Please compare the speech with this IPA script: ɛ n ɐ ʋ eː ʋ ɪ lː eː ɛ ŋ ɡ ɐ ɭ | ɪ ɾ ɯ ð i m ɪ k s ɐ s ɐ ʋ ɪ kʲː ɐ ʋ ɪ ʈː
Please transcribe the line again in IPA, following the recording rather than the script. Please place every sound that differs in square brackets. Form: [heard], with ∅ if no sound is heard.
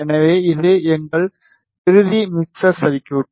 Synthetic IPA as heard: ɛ n ɐ ʋ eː [∅] ɪ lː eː ɛ ŋ ɡ ɐ ɭ | ɪ ɾ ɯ ð i m ɪ k s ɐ s ɐ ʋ ɪ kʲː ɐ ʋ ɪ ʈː